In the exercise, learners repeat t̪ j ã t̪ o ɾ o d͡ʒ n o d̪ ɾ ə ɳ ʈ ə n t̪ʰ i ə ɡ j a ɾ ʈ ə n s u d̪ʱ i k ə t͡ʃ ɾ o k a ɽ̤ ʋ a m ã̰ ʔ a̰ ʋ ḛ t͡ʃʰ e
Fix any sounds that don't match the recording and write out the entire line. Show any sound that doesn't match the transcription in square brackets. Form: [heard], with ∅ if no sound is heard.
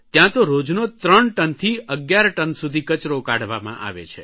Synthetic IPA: t̪ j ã t̪ o ɾ o d͡ʒ n o [t̪] ɾ ə ɳ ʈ ə n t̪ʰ i ə ɡ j a ɾ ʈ ə n s u d̪ʱ i k ə t͡ʃ ɾ o k a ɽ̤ ʋ a m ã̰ ʔ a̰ ʋ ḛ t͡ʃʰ e

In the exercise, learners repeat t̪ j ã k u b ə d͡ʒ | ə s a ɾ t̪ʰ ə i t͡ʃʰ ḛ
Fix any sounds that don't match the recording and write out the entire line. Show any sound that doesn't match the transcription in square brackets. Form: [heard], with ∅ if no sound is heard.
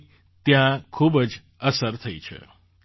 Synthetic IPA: t̪ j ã [kʰ] u b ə d͡ʒ | ə s [ə] ɾ t̪ʰ ə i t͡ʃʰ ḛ

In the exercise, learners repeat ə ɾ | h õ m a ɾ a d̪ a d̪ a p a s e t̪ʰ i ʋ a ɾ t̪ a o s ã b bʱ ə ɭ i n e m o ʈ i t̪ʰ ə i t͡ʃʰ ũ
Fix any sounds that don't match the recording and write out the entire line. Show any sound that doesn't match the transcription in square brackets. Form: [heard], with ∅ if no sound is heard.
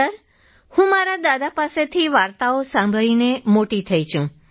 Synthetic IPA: ə ɾ | h [ũ] m a ɾ a d̪ a d̪ a p a s e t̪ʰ i ʋ a ɾ t̪ a o s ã [m] bʱ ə ɭ i n e m o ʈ i t̪ʰ ə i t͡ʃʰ ũ

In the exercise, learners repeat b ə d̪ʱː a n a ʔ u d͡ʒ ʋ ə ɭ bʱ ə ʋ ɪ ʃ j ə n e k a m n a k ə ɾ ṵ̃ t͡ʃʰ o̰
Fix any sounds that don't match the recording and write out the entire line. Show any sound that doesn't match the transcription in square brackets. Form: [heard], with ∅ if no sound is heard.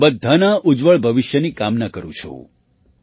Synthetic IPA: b ə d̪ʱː a n a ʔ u d͡ʒ ʋ ə ɭ bʱ ə ʋ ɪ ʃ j ə n [i] k a m n a k ə ɾ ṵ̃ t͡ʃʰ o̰

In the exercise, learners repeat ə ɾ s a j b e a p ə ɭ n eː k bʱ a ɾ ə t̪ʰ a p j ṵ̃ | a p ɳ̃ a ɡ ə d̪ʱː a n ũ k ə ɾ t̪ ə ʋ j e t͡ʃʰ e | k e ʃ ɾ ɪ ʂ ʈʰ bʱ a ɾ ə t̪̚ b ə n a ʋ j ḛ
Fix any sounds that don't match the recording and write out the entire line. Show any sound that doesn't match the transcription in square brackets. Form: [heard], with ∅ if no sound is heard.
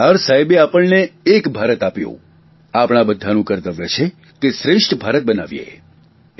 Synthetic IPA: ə ɾ s a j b e a p ə ɭ n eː k bʱ a ɾ ə [t̪] a p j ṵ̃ | a p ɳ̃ a [b] ə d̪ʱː a n ũ k ə ɾ t̪ ə ʋ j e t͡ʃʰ e | k e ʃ ɾ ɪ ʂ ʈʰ bʱ a ɾ ə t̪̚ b ə n a ʋ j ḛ

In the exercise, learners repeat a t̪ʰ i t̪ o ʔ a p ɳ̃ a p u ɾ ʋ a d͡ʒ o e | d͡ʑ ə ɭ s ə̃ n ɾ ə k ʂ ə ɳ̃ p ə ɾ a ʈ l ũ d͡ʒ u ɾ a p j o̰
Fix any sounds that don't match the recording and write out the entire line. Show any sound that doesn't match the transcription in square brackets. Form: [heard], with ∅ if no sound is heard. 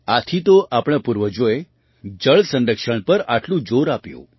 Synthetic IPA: a t̪ʰ i t̪ o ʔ a p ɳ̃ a p u ɾ ʋ [ə] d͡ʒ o e | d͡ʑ ə ɭ s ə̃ n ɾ ə k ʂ ə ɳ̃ p ə ɾ a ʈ l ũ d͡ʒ [o] ɾ a p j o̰

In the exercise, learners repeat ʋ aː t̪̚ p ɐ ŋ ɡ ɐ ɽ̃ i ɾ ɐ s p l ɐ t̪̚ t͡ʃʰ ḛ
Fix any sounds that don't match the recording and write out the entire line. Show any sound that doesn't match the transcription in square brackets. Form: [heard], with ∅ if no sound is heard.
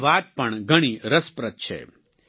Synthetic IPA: ʋ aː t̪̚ p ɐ [ɳ] ɡ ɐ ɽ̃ i ɾ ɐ s p [ɾ] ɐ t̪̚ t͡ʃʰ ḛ

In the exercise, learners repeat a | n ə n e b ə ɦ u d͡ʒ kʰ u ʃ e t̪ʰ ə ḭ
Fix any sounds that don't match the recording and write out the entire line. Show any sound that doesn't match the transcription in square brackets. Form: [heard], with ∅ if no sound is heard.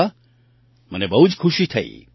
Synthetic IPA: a | [m] ə n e b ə ɦ u d͡ʒ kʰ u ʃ [i] t̪ʰ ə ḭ

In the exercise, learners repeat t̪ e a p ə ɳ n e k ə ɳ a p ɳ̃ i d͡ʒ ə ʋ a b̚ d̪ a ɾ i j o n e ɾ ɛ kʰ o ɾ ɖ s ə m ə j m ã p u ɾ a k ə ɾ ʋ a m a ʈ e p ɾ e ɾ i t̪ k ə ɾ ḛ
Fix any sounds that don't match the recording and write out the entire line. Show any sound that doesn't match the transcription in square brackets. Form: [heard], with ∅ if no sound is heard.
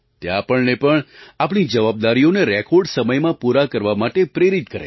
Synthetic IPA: t̪ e a p ə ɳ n e [p] ə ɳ a p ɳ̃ i d͡ʒ ə ʋ a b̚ d̪ a ɾ i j o n e ɾ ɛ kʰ o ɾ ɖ s ə m ə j m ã p u ɾ a k ə ɾ ʋ a m a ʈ e p ɾ e ɾ i t̪ k ə ɾ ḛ

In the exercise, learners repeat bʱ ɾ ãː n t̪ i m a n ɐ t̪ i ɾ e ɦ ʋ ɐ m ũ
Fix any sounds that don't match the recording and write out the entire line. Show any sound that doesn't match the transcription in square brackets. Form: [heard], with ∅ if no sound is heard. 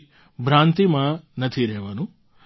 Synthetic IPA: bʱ ɾ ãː n t̪ i m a n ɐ [t̪ʰ] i ɾ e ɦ ʋ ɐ [n] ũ

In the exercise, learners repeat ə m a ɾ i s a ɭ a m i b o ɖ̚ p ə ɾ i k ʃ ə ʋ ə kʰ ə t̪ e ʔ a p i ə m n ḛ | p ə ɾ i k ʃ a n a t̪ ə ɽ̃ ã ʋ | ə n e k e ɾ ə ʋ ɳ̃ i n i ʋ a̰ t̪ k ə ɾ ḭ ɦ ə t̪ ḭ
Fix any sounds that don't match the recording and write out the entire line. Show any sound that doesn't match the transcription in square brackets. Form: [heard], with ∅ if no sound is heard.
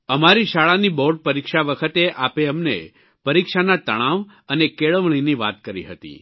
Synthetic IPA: ə m a ɾ i [ʃ] a ɭ a [n] i b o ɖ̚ p ə ɾ i k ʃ [a] ʋ ə kʰ ə t̪ e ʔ a p [e] ə m n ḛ | p ə ɾ i k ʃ a n a t̪ ə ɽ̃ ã ʋ | ə n e k e [ɭ] ə ʋ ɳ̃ i n i ʋ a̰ t̪ k ə ɾ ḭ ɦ ə t̪ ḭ

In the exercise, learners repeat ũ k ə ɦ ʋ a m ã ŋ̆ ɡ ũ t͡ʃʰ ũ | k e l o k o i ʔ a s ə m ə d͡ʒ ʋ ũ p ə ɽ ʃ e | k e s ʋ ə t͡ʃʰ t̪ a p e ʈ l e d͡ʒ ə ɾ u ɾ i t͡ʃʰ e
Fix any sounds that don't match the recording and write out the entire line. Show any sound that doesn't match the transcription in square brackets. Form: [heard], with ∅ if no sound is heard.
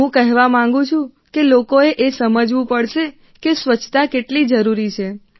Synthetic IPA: ũ k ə ɦ ʋ a m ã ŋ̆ ɡ ũ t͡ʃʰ ũ | k e l o k o [e] ʔ [e] s ə m ə d͡ʒ ʋ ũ p ə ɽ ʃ e | k e s ʋ ə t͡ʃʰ t̪ a [k] e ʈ l [i] d͡ʒ ə ɾ u ɾ i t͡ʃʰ e

